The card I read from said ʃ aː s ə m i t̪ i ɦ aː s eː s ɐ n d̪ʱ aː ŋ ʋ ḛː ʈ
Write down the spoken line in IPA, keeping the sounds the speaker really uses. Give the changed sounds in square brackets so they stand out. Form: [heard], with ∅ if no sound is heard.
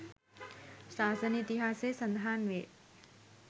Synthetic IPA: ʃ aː s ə [n] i t̪ i ɦ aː s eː s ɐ n d̪ʱ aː [n] ʋ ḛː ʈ